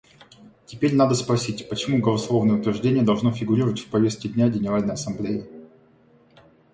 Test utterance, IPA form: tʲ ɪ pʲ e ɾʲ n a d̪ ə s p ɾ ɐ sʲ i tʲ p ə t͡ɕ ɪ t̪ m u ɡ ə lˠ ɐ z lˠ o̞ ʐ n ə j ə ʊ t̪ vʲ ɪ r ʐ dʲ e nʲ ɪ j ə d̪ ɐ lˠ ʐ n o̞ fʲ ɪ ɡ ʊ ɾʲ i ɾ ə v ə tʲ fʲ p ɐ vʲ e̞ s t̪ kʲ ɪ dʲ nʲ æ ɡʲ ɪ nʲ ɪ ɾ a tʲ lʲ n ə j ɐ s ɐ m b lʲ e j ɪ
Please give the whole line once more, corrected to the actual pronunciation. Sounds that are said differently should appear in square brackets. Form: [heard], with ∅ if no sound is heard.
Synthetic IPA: tʲ ɪ pʲ e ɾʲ n a d̪ ə s p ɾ ɐ sʲ i tʲ p ə t͡ɕ ɪ [∅] m u ɡ ə lˠ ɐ [s] lˠ o̞ [v] n ə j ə ʊ t̪ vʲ ɪ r ʐ dʲ e nʲ ɪ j ə d̪ ɐ lˠ ʐ n o̞ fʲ ɪ ɡ ʊ ɾʲ i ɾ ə v ə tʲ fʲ p ɐ vʲ e̞ s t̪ kʲ ɪ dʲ nʲ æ ɡʲ ɪ nʲ ɪ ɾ a [∅] lʲ n ə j ɐ s ɐ m b lʲ e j ɪ